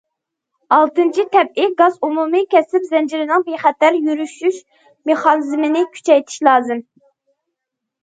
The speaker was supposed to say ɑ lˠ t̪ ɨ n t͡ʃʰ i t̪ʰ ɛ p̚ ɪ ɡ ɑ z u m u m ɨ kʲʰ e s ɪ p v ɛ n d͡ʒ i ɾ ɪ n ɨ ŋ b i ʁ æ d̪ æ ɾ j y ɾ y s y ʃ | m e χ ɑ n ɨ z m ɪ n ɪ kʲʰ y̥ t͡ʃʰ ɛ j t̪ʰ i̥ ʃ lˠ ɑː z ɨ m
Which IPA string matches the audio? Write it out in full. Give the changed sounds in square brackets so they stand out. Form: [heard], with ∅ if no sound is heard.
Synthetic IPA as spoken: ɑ lˠ t̪ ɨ n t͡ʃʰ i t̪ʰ ɛ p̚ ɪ ɡ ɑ z u m u m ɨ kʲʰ [ɛ] s ɪ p [z] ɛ n d͡ʒ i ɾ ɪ n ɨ ŋ b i [χ] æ [t̪] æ ɾ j y ɾ y [ʃ] y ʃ | m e χ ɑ n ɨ z m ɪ n ɪ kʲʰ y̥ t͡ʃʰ ɛ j t̪ʰ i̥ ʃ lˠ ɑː z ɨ m